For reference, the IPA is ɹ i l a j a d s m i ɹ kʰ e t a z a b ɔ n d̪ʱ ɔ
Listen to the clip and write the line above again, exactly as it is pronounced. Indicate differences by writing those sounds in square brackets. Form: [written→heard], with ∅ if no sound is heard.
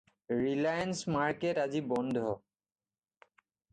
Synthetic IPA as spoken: ɹ i l a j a [d→n] s m [i→a] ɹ [kʰ→k] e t a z [a→i] b ɔ n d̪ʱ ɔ